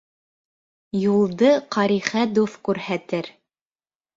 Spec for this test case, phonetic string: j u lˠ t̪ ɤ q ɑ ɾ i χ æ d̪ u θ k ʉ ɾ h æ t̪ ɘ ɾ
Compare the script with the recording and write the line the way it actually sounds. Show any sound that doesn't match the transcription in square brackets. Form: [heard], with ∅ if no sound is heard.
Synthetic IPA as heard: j u lˠ [d̪] ɤ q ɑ ɾ i χ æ d̪ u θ k ʉ ɾ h æ t̪ ɘ ɾ